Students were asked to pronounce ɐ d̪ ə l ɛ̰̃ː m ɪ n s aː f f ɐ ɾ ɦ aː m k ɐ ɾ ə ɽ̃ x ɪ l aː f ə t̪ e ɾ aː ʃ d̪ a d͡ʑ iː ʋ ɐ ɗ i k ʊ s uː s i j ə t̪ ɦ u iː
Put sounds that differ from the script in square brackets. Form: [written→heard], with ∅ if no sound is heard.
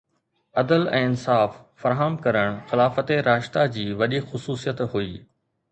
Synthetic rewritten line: ɐ d̪ ə l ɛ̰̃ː [m→∅] ɪ n s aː f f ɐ ɾ ɦ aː m k ɐ ɾ ə ɽ̃ x ɪ l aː f ə t̪ e ɾ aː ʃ [d̪→t̪] a d͡ʑ iː ʋ ɐ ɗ i [k→x] ʊ s uː s i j ə t̪ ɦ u iː